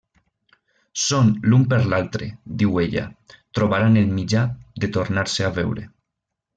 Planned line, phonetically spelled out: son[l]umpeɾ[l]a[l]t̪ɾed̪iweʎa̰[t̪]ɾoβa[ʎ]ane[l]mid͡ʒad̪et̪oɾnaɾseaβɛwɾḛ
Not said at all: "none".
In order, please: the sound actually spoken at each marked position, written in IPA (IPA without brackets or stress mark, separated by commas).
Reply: l, l, l, t̪, ɾ, l